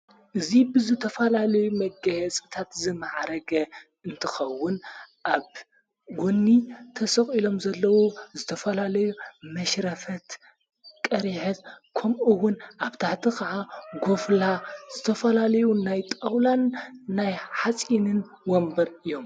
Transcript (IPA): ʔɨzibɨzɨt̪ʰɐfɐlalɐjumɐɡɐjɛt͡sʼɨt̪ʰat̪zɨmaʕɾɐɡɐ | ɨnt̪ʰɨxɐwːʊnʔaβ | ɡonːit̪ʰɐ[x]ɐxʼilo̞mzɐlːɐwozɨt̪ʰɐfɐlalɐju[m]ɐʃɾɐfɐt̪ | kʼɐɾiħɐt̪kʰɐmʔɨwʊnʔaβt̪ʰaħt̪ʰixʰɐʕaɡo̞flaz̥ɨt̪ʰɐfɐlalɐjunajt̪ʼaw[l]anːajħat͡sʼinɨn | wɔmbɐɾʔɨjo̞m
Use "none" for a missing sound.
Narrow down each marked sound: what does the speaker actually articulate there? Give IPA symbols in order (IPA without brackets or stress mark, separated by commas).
s, m, l